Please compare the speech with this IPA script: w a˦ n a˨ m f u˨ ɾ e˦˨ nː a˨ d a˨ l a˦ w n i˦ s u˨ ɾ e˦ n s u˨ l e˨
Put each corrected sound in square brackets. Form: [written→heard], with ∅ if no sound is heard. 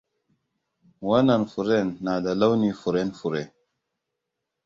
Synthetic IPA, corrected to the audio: w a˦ n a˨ [m→n] f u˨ ɾ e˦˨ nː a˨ d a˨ l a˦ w n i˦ [s→f] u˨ ɾ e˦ n [s→f] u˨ [l→ɾ] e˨